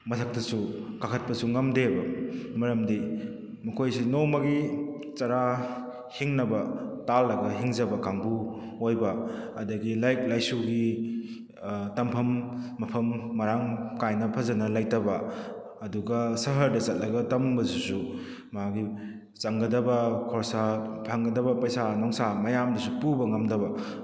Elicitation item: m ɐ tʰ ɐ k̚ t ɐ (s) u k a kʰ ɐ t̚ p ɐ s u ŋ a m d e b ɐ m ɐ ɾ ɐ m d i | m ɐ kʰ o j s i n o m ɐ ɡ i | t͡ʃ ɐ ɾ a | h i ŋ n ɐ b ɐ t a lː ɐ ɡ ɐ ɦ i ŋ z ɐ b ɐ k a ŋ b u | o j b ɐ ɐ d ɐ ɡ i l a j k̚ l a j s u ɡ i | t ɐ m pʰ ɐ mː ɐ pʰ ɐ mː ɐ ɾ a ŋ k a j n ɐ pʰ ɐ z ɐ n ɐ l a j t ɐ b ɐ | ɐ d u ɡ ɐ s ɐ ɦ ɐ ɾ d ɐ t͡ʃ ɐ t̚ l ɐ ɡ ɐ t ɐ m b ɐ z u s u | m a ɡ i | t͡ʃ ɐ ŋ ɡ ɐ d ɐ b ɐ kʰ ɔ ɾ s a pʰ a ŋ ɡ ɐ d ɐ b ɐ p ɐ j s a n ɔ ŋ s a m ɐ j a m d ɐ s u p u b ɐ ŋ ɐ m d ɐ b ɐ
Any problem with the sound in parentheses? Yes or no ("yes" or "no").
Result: no